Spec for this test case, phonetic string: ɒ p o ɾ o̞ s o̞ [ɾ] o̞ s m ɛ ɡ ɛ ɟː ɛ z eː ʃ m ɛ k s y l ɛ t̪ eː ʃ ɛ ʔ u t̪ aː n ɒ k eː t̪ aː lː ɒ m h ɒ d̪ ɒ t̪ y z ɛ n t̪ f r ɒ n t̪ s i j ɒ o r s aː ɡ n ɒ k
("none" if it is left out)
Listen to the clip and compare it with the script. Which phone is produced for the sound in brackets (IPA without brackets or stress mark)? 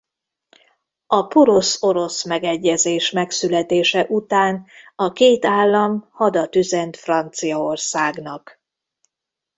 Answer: ɾ